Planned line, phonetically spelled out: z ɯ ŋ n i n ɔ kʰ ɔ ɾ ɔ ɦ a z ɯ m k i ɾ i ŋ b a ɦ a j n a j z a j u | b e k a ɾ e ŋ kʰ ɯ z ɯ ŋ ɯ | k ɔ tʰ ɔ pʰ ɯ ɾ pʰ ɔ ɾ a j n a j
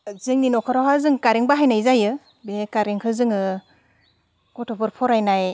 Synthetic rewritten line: z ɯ ŋ n i n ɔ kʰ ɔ ɾ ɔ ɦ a z ɯ ŋ k a ɾ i ŋ b a ɦ a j n a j z a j ɯ | b e k a ɾ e ŋ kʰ ɯ z ɯ ŋ ɯ | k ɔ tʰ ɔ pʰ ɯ ɾ pʰ ɔ ɾ a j n a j